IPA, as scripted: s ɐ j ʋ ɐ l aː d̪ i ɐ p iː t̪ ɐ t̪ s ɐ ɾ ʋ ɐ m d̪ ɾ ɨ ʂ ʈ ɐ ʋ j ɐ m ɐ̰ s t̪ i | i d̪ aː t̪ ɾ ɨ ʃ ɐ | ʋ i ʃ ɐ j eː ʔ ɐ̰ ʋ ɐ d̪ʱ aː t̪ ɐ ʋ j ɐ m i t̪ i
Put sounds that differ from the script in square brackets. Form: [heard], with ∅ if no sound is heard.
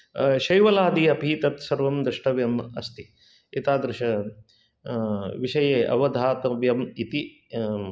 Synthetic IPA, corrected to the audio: [ʃ] ɐ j ʋ ɐ l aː d̪ i ɐ p iː t̪ ɐ t̪ s ɐ ɾ ʋ ɐ m d̪ ɾ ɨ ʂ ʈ ɐ ʋ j ɐ m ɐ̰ s t̪ i | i [t̪] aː [d̪] ɾ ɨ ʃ ɐ | ʋ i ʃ ɐ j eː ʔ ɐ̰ ʋ ɐ d̪ʱ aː t̪ ɐ ʋ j ɐ m i t̪ i